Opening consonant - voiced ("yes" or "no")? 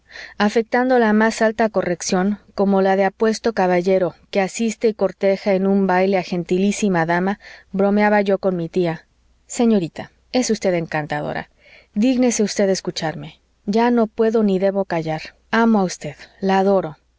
no